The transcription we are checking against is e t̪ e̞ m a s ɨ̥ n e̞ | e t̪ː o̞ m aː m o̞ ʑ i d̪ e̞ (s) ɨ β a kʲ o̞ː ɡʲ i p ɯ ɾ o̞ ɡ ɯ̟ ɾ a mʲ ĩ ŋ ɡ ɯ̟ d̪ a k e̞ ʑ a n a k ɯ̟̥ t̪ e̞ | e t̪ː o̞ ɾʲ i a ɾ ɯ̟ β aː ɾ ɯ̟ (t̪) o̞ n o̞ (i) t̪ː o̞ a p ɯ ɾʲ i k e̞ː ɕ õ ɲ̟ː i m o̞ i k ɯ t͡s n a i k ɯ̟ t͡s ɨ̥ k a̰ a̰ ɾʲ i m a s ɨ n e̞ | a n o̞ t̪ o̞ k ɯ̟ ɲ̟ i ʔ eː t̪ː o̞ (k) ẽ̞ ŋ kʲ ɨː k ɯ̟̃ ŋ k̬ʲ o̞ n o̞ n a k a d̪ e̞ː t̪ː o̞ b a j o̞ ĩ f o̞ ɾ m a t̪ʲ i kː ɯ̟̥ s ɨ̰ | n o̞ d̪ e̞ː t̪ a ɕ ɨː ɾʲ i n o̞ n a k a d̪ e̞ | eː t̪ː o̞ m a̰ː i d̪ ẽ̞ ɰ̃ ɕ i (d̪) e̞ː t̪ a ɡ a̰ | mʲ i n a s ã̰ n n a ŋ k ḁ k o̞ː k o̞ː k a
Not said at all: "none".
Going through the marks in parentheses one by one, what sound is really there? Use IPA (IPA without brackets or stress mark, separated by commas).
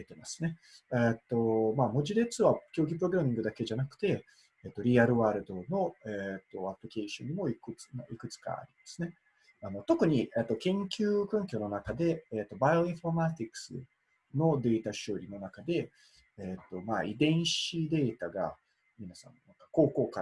t͡s, d̪, e, k, d̪